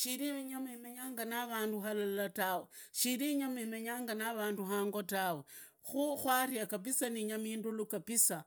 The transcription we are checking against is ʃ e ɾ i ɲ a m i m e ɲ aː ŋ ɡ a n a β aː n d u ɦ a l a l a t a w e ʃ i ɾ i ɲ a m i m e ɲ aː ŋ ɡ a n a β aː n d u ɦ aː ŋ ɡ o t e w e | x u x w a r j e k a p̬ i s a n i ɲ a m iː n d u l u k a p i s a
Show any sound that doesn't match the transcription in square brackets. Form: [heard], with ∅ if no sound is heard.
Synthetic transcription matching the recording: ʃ [i] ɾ i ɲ a m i m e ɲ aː ŋ ɡ a n a β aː n d u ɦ a l a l a t a w e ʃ i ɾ i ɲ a m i m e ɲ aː ŋ ɡ a n a β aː n d u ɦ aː ŋ ɡ o t [a] w e | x u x w a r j [a] k a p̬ i s a n i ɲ a m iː n d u l u k a p i s a

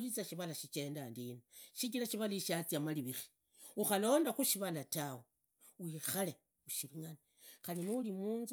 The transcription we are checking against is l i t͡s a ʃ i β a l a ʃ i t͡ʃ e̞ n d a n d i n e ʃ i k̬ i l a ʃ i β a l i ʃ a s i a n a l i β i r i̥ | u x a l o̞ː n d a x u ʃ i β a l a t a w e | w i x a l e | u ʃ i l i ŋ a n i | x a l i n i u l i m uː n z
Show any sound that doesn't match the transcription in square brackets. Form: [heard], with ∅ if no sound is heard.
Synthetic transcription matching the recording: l i t͡s a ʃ i β a l a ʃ i t͡ʃ e̞ n d a n d i n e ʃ i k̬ i l a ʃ i β a l i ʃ a [t͡s] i a [m] a l i β i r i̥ | u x a l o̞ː n d a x u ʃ i β a l a t a w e | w i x a l e | u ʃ i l i ŋ a n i | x a l i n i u l i m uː n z

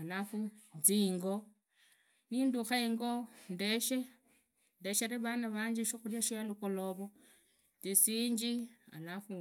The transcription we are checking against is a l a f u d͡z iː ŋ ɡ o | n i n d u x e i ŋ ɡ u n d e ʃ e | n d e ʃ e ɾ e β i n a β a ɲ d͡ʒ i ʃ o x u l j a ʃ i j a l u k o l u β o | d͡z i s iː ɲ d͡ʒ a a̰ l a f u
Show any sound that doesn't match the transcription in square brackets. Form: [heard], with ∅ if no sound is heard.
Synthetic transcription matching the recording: a l a f u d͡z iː ŋ ɡ o | n i n d u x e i ŋ ɡ [o] n d e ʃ e | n d e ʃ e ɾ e β [a] n a β a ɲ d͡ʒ i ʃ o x u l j a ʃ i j a l u k o l [o] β o | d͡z i s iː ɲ d͡ʒ [i] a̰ l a f u

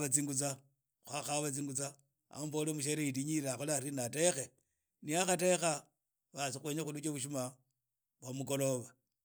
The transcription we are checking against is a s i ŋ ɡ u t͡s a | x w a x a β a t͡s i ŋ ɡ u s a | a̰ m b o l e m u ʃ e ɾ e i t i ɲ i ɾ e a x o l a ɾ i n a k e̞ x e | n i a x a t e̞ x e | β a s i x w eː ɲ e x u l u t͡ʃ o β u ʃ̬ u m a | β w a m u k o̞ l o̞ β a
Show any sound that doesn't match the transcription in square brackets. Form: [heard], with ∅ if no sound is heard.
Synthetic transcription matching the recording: a [t͡s] i ŋ ɡ u t͡s a | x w a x a β a t͡s i ŋ ɡ u [t͡s] a | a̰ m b o l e m u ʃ e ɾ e i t i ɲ i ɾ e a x o l a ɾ i n a [t] e̞ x e | n i a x a t e̞ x [a] | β a s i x w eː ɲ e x u l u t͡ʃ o β u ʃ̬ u m a | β w a m u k o̞ l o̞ β a

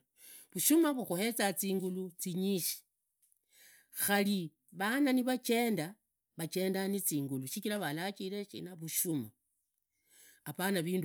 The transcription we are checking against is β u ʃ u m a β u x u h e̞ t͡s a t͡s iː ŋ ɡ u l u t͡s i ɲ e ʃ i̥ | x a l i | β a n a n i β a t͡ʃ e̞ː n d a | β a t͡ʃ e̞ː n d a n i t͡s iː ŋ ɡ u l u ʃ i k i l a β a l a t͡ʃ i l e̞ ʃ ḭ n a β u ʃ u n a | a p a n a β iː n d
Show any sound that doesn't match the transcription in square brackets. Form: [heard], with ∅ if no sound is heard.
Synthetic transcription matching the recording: β u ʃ u m a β u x u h e̞ t͡s a t͡s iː ŋ ɡ u l u t͡s i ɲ [i] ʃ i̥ | x a l i | β a n a n i β a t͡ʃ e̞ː n d a | β a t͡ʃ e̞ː n d a n i t͡s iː ŋ ɡ u l u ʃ i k i l a β a l a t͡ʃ i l e̞ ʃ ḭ n a β u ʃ u [m] a | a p a n a β iː n d

